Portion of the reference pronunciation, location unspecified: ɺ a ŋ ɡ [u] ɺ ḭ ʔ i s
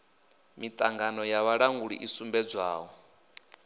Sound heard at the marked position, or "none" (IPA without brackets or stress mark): u